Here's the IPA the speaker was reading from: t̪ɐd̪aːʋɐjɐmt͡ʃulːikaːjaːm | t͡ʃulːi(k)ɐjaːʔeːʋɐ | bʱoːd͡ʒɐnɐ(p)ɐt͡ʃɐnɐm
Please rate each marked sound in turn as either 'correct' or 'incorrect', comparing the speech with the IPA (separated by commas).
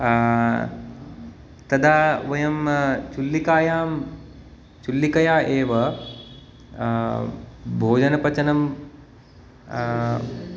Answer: correct, correct